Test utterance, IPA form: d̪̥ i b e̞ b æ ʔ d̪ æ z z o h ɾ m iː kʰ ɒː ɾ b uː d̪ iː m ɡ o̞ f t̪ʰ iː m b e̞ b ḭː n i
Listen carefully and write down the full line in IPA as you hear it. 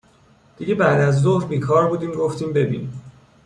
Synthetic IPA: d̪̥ i ɟ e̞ b æ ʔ d̪ æ z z o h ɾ b iː kʰ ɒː ɾ b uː d̪ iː m ɡ o̞ f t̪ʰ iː m b e̞ b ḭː n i